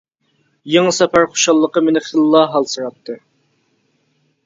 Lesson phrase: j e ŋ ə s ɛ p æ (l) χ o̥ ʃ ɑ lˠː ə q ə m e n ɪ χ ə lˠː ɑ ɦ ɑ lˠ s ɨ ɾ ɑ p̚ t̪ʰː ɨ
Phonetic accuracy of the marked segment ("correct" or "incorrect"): incorrect